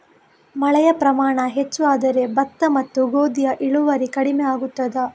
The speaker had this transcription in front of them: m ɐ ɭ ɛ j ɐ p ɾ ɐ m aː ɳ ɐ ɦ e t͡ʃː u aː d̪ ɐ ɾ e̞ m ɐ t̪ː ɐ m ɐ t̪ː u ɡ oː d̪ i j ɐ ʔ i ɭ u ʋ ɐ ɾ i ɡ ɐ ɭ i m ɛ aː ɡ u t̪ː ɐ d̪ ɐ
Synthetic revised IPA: m ɐ ɭ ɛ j ɐ p ɾ ɐ m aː ɳ ɐ ɦ e t͡ʃː u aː d̪ ɐ ɾ e̞ b ɐ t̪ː ɐ m ɐ t̪ː u ɡ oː d̪ i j ɐ ʔ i ɭ u ʋ ɐ ɾ i k ɐ ɽ i m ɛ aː ɡ u t̪ː ɐ d̪ ɐ

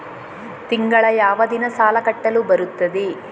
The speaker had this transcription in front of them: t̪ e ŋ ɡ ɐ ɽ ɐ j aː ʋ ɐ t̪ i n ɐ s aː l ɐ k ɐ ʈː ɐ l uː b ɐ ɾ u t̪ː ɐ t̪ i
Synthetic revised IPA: t̪ i ŋ ɡ ɐ ɭ ɐ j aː ʋ ɐ d̪ i n ɐ s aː l ɐ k ɐ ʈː ɐ l u b ɐ ɾ u t̪ː ɐ d̪ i

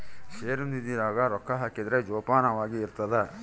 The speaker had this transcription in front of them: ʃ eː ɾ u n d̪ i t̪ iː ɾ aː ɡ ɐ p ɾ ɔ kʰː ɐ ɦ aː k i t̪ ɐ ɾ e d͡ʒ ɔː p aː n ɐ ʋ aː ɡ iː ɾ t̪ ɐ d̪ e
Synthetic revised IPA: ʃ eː ɾ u n d̪ i d̪ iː ɾ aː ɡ ɐ ɾ ɔ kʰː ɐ ɦ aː k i d̪ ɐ ɾ e d͡ʒ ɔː p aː n ɐ ʋ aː ɡ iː ɾ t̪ ɐ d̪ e

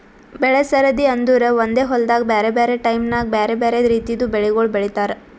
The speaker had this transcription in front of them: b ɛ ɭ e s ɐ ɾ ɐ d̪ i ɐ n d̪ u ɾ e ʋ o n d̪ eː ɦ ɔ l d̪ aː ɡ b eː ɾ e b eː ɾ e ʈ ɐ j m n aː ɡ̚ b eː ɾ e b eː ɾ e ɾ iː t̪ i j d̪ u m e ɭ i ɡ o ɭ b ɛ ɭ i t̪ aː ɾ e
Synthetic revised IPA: b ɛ ɭ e s ɐ ɾ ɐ d̪ i ɐ n d̪ u ɾ e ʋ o n d̪ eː ɦ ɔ l d̪ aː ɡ b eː ɾ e b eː ɾ e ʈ ɐ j m n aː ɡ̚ b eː ɾ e b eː ɾ e ɾ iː t̪ i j d̪ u b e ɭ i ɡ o ɭ b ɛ ɭ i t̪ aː ɾ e

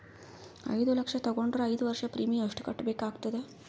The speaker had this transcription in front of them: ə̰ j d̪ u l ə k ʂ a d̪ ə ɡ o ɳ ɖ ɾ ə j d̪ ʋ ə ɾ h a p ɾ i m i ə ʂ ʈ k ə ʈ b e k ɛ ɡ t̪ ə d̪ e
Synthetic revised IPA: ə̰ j d̪ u l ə k ʂ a t̪ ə ɡ o ɳ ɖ ɾ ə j d̪ ʋ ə ɾ ʂ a p ɾ i m i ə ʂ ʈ k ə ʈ b e k a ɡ t̪ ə d̪ e

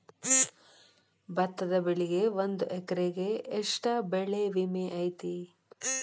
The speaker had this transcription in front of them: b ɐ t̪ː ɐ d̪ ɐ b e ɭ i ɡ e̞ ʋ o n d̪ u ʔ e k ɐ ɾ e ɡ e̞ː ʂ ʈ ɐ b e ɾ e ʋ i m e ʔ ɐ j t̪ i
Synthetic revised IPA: b ɐ t̪ː ɐ d̪ ɐ b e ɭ i ɡ e̞ ʋ o n d̪ u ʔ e k ɐ ɾ e ɡ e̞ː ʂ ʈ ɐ b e ɭ e ʋ i m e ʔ ɐ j t̪ i

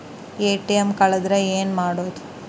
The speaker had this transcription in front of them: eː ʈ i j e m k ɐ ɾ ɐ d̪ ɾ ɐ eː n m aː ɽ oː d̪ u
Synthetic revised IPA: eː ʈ i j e m k ɐ ɭ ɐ d̪ ɾ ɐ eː n m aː ɽ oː d̪ u

